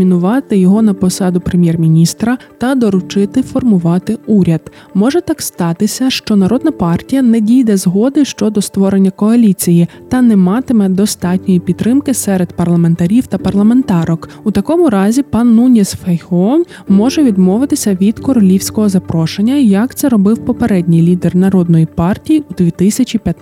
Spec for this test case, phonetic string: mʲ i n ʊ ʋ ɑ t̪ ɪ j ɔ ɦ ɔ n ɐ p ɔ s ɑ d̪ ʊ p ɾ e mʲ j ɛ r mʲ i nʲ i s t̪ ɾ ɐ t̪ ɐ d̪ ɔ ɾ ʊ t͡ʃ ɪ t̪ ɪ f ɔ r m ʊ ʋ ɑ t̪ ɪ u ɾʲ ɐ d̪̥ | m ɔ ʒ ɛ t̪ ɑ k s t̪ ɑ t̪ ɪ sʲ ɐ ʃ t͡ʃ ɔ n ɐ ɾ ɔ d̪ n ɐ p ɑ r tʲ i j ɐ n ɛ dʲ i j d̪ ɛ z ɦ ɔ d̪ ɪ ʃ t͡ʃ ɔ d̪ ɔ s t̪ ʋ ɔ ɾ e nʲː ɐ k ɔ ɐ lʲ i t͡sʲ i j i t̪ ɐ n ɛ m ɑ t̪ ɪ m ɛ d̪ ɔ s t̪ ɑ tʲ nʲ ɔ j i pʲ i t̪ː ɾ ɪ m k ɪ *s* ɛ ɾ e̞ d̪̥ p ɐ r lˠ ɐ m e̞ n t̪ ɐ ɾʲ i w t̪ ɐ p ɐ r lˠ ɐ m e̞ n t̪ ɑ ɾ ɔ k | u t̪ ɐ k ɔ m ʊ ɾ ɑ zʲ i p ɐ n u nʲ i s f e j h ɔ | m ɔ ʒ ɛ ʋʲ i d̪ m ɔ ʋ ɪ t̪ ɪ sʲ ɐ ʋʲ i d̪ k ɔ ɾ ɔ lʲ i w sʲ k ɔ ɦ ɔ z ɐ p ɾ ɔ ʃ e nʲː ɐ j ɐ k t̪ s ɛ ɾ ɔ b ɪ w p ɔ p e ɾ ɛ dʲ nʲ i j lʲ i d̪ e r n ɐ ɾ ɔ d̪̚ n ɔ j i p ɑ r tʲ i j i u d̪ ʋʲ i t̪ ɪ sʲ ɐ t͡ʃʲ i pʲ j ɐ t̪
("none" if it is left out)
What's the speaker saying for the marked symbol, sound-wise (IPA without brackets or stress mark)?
s